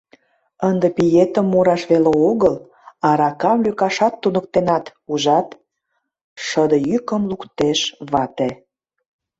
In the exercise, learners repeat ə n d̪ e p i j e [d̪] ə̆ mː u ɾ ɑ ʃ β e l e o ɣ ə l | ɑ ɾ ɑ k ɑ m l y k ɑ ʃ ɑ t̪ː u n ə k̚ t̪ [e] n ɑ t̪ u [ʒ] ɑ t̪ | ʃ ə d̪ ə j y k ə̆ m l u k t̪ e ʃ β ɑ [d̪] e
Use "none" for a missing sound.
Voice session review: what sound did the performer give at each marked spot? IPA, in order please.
t̪, e, ʒ, t̪

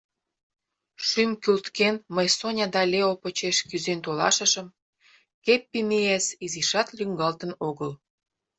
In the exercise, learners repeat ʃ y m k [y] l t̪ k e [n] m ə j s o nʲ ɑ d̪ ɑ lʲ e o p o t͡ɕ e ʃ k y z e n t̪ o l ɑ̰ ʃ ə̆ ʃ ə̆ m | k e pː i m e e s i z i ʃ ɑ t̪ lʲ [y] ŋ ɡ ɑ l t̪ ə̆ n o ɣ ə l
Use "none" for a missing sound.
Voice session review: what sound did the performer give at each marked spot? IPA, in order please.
y, n, y

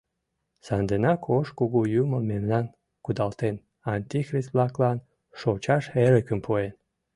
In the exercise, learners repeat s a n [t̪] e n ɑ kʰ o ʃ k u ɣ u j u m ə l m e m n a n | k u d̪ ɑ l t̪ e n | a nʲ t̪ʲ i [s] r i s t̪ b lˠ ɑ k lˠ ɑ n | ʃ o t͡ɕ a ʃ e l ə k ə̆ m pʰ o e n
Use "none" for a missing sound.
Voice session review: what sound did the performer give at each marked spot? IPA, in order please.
d̪, x

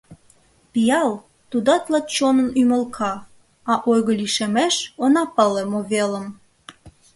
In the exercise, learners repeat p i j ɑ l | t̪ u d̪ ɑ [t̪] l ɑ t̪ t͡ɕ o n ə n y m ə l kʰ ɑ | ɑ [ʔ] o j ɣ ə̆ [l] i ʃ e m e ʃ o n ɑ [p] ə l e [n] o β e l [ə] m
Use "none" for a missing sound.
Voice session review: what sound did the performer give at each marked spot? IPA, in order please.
t̪, ʔ, l, p, m, ə

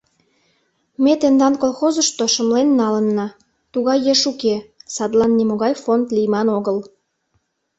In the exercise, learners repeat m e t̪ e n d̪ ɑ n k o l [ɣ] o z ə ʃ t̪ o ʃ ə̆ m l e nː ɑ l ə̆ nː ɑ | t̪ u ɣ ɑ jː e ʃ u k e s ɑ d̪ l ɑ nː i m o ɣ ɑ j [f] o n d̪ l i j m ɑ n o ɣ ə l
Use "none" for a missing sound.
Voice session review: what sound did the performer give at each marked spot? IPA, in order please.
x, f

